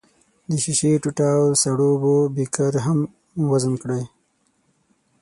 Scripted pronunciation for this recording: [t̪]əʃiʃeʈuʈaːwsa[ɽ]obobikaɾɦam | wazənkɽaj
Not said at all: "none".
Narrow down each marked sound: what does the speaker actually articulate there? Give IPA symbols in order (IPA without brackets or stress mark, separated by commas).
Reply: d̪, ɽ